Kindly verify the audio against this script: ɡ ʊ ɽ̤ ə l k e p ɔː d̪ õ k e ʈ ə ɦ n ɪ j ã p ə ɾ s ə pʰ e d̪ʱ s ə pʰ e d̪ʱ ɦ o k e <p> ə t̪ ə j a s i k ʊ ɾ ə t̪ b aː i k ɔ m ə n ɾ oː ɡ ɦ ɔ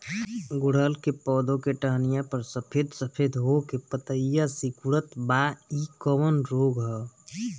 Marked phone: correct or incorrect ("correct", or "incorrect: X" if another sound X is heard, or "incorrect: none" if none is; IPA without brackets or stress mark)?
correct